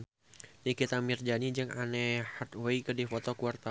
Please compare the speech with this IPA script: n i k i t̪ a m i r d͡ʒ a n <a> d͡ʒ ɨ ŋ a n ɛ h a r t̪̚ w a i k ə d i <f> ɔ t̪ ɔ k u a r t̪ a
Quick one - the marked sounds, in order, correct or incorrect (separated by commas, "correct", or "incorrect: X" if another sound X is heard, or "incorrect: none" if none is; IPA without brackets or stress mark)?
incorrect: i, correct